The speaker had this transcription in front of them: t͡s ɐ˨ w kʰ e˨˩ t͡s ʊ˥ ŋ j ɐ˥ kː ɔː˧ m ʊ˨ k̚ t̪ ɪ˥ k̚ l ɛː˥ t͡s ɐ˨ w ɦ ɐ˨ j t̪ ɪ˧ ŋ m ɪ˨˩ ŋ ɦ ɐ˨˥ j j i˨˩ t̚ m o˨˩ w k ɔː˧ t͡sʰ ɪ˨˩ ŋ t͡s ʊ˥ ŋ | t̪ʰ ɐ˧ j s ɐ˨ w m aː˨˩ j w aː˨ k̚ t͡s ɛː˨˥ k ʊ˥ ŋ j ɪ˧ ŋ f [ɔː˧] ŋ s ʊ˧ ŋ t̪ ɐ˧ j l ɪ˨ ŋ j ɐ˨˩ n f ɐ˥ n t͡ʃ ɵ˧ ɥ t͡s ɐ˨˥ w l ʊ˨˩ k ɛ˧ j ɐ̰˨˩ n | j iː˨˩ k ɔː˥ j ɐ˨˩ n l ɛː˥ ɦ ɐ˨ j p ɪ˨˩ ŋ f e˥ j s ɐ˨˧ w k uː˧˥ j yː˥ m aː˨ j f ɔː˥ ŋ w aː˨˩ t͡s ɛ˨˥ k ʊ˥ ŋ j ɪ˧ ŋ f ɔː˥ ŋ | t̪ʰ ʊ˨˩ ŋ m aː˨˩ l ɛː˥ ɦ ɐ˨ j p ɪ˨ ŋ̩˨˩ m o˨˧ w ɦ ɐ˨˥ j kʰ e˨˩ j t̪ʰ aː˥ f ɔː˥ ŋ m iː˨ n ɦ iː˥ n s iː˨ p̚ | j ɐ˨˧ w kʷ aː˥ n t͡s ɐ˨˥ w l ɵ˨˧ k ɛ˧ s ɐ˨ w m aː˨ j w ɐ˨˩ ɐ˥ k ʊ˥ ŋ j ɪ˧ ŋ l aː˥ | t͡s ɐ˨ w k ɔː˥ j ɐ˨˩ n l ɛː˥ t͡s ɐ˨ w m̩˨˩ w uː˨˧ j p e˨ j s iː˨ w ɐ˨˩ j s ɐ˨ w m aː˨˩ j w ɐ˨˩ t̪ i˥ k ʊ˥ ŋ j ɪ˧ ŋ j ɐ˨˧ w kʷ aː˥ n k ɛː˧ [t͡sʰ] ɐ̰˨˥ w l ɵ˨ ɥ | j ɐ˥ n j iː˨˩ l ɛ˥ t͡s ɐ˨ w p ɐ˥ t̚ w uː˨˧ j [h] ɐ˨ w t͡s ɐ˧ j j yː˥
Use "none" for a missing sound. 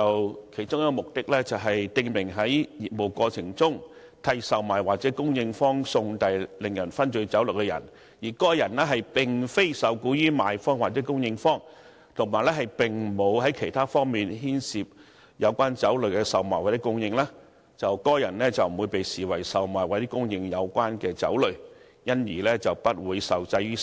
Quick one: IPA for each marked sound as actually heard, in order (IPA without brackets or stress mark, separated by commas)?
ɔː˥, t͡s, s